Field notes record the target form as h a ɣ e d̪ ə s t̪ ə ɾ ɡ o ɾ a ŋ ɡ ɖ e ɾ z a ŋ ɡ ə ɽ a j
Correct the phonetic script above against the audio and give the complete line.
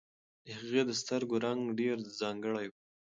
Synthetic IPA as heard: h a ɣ e d̪ ə s t̪ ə ɾ ɡ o ɾ a ŋ ɡ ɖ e ɾ z ɑ ŋ ɡ ə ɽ a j